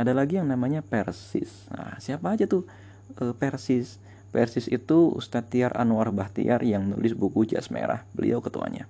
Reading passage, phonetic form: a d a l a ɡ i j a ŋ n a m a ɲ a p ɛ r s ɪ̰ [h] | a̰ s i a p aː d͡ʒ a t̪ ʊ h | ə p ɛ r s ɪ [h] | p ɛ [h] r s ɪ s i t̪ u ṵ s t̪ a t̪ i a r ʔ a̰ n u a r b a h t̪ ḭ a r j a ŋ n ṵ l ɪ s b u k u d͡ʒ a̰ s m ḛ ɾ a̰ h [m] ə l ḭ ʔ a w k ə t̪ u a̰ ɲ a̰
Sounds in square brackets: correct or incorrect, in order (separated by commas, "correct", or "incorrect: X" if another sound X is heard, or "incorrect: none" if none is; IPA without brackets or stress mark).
incorrect: s, incorrect: s, incorrect: none, incorrect: b